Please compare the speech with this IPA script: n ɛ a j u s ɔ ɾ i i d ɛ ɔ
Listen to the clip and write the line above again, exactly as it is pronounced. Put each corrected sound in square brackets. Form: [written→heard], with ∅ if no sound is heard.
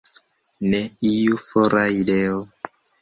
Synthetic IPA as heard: n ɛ [a→i] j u [s→f] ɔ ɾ [i→a] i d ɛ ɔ